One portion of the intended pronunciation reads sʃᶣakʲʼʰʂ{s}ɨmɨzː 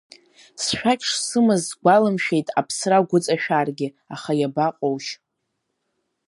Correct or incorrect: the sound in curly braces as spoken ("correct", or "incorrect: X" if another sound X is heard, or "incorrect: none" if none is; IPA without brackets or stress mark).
correct